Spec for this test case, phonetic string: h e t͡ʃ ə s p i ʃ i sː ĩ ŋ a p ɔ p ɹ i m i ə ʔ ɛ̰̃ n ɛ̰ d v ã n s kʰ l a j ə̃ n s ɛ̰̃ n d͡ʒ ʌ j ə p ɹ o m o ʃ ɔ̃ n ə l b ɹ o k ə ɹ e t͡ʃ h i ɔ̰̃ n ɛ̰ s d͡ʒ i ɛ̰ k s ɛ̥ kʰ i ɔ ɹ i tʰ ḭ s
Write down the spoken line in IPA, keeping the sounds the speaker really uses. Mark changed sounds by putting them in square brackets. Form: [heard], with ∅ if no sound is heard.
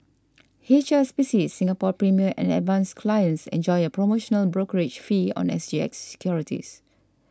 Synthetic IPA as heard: h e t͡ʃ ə s p i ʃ i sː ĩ ŋ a p ɔ p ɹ i m i ə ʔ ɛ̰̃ n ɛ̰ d v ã n s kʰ l a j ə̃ n s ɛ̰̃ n d͡ʒ [ɔ] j ə p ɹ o m o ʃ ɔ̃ n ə l b ɹ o k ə ɹ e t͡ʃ [f] i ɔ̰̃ n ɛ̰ s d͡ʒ i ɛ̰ k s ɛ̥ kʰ [j] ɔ ɹ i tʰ ḭ s